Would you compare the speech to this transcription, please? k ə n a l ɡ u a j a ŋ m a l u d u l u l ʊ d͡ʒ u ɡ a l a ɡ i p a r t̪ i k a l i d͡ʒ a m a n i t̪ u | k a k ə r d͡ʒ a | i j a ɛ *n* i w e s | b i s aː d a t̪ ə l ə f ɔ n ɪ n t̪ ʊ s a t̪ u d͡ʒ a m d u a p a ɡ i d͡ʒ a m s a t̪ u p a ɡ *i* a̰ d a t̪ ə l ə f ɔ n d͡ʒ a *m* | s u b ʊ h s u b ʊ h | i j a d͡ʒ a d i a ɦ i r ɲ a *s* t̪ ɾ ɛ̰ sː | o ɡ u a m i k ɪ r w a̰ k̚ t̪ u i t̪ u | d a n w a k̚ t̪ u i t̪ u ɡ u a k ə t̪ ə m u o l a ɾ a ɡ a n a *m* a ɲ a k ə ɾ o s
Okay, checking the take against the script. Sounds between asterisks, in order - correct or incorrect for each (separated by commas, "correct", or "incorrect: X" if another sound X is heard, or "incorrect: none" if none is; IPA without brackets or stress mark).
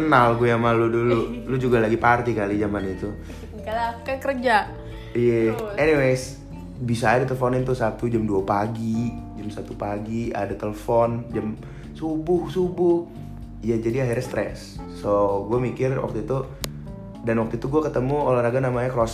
correct, correct, correct, correct, correct